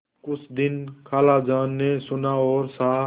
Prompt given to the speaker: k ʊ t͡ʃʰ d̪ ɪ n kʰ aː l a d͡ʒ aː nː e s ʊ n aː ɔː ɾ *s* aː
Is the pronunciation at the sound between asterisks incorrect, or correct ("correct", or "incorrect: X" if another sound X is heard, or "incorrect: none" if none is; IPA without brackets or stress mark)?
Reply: correct